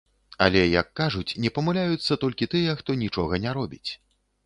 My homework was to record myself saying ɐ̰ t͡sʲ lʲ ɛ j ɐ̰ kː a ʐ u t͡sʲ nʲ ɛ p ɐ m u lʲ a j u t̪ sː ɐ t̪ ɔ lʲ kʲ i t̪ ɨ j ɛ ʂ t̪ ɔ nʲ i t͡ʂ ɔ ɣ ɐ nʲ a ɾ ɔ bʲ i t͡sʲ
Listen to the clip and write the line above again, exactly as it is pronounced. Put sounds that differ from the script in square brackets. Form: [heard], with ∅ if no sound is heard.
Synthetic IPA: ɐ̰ [∅] lʲ ɛ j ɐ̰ kː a ʐ u t͡sʲ nʲ ɛ p ɐ m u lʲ a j u t̪ sː ɐ t̪ ɔ lʲ kʲ i t̪ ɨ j ɛ [x] t̪ ɔ nʲ i t͡ʂ ɔ ɣ ɐ nʲ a ɾ ɔ bʲ i t͡sʲ